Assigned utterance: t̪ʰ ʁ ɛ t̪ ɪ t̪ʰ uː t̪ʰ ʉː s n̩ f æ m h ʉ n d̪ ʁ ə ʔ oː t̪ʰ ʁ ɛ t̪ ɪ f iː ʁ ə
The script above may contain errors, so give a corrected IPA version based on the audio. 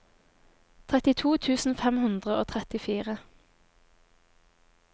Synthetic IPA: t̪ʰ ʁ ɛ t̪ ɪ t̪ʰ uː t̪ʰ ʉː s n̩ f ɛ m h ʉ n d̪ ʁ ə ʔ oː t̪ʰ ʁ ɛ t̪ ɪ f iː ʁ ə